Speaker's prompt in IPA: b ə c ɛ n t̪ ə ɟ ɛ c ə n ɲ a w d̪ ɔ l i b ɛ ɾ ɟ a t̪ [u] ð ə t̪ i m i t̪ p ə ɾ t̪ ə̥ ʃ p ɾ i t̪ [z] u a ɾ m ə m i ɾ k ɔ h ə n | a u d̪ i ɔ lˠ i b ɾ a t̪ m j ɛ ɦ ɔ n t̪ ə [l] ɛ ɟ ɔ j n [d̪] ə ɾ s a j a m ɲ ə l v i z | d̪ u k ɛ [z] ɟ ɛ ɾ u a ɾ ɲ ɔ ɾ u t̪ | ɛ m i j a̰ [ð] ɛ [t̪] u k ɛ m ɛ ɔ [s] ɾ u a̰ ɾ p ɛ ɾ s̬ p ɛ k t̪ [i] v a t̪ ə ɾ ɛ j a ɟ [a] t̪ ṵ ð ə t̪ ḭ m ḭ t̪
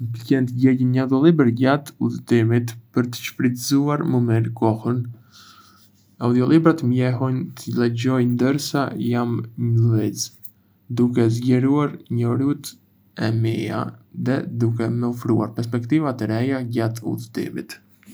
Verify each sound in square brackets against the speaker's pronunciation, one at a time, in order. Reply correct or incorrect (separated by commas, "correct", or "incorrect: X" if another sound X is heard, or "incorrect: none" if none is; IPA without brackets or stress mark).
correct, correct, correct, correct, correct, correct, incorrect: d̪, incorrect: f, correct, correct